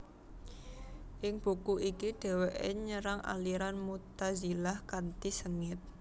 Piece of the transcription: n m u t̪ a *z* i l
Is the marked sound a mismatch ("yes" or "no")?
no